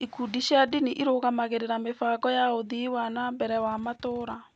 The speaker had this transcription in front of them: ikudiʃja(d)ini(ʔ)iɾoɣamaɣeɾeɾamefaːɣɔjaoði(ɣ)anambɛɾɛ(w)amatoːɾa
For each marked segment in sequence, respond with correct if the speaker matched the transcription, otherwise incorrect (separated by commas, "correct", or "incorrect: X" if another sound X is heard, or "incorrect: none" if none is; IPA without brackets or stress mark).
correct, correct, incorrect: w, correct